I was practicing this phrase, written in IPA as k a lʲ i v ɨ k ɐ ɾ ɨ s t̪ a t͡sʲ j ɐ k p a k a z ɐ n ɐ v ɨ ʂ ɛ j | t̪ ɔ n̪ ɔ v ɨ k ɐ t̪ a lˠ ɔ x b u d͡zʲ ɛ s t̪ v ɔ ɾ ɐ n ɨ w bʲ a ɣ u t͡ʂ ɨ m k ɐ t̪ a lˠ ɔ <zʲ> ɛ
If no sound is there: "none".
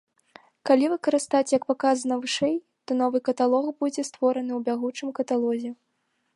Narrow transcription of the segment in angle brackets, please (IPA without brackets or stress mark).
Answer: zʲ